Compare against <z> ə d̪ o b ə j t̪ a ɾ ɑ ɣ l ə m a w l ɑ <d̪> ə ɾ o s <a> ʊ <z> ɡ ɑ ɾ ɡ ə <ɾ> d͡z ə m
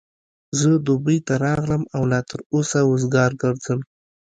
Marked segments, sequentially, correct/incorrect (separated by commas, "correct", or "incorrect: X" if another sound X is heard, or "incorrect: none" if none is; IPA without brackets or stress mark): correct, incorrect: t̪, correct, correct, correct